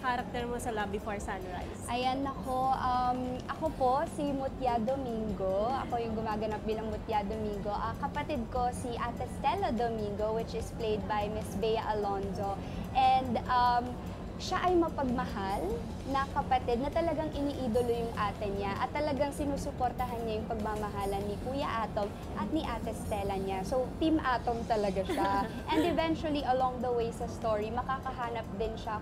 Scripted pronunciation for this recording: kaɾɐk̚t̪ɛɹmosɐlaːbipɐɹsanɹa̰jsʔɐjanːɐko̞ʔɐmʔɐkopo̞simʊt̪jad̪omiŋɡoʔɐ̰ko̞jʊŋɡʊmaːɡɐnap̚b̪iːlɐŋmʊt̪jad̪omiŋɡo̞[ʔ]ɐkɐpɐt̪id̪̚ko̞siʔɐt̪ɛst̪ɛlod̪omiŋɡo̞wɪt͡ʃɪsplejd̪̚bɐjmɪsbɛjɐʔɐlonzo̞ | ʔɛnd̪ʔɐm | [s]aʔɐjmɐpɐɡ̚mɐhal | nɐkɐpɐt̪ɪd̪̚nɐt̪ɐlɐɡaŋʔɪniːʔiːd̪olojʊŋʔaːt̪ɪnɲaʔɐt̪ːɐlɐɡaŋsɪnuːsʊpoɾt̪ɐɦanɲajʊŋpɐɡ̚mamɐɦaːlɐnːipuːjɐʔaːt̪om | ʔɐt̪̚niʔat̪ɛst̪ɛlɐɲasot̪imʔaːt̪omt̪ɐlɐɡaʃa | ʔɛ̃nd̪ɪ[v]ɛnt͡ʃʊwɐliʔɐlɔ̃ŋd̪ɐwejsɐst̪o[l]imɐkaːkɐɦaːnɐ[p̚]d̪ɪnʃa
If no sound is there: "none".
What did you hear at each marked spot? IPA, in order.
ʔ, ʃ, v, ɹ, p̚

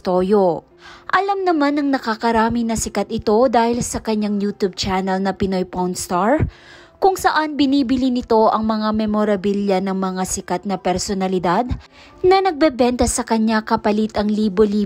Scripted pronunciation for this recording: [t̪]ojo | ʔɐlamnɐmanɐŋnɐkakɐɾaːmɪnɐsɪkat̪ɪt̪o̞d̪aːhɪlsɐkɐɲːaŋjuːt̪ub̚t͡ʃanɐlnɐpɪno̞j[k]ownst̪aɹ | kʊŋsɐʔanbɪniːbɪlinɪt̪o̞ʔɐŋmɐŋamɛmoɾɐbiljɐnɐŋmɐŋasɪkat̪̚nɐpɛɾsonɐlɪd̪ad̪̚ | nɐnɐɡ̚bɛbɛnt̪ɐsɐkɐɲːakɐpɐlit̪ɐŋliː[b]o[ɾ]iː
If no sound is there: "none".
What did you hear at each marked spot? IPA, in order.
t̪, p, b, l

